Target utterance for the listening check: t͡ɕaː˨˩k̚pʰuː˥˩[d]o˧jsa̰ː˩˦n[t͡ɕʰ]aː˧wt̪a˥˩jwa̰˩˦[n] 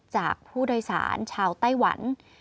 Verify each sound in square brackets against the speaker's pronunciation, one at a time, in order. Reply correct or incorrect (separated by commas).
correct, correct, correct